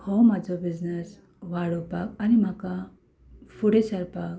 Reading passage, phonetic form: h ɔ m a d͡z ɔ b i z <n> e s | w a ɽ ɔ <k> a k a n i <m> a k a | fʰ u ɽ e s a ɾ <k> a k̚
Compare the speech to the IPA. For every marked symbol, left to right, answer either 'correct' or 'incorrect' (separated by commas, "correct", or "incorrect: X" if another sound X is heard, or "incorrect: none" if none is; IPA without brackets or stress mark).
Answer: correct, incorrect: p, correct, incorrect: p